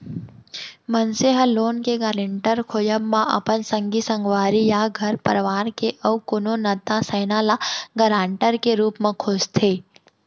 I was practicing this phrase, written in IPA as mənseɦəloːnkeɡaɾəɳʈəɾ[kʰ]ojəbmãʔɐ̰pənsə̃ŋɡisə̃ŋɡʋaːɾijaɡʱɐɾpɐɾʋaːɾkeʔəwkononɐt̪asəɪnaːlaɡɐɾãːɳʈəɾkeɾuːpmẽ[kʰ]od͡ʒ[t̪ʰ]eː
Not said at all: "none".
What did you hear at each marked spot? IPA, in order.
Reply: kʰ, kʰ, t̪ʰ

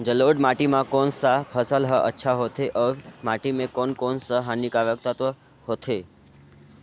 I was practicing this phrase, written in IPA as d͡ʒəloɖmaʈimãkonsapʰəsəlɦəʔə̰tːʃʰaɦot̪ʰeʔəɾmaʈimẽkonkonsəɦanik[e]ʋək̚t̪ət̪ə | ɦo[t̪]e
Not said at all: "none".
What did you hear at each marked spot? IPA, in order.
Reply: a, t̪ʰ

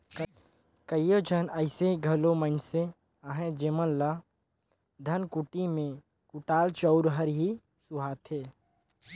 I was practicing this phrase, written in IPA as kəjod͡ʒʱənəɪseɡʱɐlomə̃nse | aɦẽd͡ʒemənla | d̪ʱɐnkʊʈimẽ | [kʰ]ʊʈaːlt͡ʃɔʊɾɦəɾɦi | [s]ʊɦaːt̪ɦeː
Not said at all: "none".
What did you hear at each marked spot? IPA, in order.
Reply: k, s

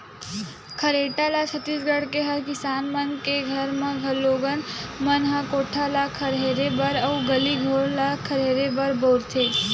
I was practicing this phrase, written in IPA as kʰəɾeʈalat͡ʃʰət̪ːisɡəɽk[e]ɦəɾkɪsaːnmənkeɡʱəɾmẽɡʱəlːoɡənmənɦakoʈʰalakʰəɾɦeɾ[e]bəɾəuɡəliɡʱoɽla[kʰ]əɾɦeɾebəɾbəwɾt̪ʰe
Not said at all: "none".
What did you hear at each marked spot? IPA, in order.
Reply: e, e, kʰ

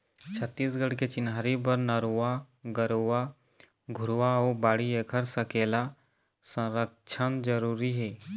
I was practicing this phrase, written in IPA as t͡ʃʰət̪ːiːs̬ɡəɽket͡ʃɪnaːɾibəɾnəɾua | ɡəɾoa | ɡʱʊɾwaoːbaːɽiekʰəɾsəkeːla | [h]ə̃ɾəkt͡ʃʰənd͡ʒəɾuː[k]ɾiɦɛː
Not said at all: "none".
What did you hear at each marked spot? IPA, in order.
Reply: s, none

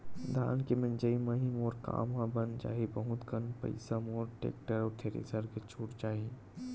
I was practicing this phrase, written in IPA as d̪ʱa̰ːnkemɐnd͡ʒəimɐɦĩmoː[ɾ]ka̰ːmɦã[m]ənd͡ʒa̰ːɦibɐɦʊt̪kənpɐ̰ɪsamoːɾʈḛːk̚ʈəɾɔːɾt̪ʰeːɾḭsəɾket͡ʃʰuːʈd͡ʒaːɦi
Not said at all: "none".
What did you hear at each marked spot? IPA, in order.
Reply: ɾ, b

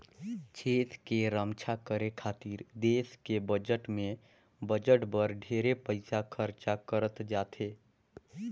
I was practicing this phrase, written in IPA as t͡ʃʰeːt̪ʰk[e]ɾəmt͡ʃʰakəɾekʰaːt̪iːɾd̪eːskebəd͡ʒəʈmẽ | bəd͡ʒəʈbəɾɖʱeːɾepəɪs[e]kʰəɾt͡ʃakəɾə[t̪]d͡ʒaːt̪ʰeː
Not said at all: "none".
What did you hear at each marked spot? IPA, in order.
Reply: e, a, t̪

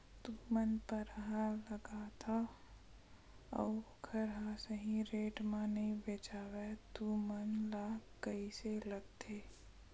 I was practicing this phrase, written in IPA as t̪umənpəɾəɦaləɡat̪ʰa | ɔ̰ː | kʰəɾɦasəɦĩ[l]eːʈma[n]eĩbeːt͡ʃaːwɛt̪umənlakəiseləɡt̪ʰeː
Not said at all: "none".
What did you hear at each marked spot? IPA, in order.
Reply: ɾ, n

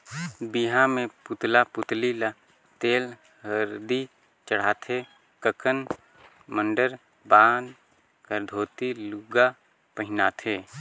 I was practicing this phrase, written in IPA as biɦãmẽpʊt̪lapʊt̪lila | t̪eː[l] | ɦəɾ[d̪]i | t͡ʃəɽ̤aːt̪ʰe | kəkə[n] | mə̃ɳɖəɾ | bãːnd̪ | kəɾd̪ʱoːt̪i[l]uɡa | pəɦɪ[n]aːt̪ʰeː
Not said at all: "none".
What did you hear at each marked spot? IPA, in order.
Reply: l, d̪, n, l, n

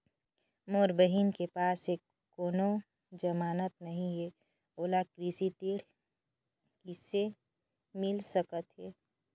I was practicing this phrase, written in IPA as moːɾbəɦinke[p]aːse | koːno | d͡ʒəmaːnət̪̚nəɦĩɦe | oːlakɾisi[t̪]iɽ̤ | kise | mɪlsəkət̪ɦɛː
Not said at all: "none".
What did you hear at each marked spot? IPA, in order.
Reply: p, t̪

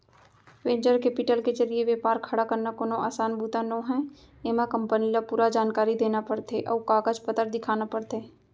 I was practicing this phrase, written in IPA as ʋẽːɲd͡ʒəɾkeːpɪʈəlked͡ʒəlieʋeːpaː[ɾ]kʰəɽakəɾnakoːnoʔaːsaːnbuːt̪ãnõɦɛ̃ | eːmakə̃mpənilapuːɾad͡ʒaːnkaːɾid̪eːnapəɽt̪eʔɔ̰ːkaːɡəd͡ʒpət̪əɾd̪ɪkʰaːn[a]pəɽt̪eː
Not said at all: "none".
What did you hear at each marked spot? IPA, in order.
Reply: ɾ, a

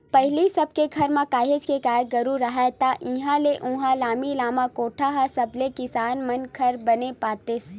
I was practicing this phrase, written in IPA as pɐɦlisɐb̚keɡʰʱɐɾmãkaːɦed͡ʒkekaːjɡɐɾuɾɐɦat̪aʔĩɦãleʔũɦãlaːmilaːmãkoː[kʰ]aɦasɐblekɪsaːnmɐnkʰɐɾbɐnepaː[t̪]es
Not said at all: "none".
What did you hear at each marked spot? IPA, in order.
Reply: ʈʰ, t̪

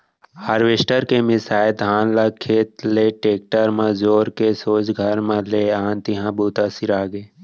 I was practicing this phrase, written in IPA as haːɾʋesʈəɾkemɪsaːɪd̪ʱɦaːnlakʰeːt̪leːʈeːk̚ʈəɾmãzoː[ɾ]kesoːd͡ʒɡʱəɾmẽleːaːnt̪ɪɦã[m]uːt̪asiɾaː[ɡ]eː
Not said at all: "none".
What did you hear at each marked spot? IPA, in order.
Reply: ɾ, b, ɡ

